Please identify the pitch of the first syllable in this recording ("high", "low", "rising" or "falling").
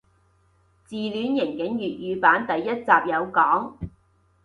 low